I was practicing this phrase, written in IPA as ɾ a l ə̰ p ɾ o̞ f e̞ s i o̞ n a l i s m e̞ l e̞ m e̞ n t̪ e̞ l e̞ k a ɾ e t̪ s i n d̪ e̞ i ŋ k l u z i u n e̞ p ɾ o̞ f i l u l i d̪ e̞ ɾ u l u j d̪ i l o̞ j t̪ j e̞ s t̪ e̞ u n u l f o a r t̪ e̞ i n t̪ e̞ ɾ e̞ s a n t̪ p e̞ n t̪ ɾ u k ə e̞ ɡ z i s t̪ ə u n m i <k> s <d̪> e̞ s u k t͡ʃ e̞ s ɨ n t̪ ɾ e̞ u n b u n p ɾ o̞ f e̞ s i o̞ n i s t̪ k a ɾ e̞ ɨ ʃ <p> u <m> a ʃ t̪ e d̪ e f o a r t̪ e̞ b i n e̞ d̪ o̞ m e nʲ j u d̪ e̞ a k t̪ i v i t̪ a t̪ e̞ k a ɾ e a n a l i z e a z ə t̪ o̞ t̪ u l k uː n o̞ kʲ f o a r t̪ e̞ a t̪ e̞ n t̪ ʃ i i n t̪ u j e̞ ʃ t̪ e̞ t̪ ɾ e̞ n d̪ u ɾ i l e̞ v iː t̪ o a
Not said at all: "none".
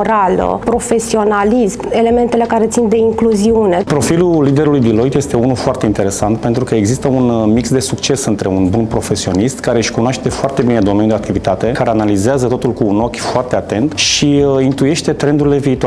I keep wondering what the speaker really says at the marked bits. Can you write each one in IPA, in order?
k, d̪, k, n

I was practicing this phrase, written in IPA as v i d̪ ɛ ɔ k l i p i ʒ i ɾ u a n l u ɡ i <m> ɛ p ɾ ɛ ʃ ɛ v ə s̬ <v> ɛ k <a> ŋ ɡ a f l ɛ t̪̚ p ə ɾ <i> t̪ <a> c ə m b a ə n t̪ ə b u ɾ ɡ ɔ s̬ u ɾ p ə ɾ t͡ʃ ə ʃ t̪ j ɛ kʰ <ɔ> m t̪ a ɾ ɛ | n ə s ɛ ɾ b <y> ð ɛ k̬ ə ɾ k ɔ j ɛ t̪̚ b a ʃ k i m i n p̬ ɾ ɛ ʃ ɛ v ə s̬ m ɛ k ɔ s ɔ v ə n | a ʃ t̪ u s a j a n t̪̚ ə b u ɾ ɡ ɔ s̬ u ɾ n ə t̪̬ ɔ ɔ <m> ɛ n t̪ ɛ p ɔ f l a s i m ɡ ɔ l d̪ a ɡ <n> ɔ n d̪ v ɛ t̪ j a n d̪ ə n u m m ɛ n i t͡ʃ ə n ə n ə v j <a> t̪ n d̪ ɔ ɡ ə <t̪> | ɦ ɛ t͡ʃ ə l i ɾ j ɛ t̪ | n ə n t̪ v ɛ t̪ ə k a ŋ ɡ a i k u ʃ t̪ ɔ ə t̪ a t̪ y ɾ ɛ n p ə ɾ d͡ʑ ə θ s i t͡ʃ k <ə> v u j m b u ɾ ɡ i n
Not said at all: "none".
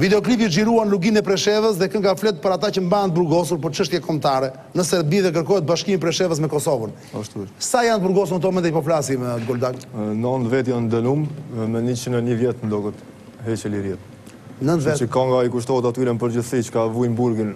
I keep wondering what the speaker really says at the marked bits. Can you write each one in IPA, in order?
n, ð, ə, a, a, ɔ, i, m, n, ɛ, t̪, a

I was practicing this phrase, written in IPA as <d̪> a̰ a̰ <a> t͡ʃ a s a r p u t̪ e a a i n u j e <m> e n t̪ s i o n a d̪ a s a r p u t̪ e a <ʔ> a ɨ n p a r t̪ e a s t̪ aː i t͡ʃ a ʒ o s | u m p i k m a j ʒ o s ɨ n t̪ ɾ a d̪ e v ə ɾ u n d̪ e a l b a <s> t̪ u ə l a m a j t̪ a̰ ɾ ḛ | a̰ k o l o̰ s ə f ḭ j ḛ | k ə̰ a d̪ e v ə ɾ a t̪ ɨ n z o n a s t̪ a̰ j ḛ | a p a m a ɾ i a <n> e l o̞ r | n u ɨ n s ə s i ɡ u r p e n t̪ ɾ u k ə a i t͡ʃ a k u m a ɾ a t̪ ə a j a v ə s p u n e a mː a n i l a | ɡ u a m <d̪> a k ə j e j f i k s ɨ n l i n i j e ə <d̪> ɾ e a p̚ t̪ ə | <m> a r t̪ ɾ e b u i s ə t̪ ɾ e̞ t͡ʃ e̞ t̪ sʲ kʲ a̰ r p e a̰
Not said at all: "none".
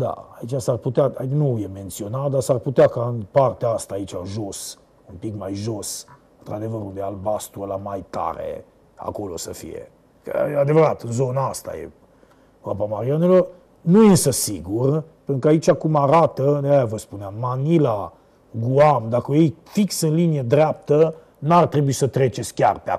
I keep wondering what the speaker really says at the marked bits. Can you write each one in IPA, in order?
d̪, i, m, k, s, n, d̪, d̪, n

